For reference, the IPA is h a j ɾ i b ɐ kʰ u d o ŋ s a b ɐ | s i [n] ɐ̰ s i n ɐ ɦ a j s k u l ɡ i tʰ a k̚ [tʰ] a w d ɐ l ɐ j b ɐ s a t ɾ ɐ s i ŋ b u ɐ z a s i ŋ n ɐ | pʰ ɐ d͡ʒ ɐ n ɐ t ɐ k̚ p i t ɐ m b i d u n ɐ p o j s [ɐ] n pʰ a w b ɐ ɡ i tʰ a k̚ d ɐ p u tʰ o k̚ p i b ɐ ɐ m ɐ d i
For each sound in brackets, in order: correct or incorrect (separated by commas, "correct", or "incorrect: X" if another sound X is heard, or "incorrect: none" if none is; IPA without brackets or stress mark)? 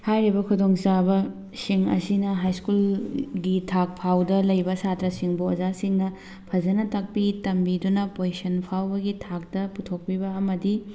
incorrect: ŋ, incorrect: pʰ, correct